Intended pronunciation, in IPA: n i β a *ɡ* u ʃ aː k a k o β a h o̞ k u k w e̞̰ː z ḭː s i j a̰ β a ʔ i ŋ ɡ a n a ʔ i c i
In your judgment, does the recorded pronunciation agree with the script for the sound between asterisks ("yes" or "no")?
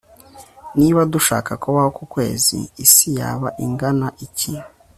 no